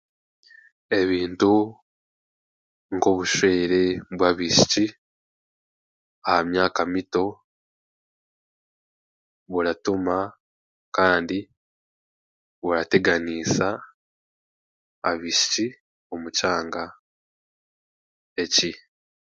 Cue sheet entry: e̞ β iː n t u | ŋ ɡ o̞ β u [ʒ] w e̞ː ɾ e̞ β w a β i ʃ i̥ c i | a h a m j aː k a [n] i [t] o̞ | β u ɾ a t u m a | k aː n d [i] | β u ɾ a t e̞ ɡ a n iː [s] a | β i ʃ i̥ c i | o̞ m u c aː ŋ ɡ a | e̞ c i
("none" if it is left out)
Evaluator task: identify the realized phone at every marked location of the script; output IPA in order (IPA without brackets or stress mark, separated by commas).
ʃ, m, t, i, s